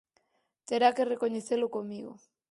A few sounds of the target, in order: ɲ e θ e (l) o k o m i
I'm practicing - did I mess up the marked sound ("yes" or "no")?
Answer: no